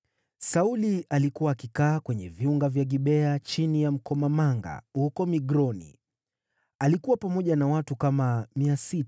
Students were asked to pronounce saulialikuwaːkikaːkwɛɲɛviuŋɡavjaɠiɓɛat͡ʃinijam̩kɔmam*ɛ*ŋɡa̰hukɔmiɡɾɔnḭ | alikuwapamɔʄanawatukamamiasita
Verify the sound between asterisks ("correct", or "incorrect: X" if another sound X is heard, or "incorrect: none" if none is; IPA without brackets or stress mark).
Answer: incorrect: a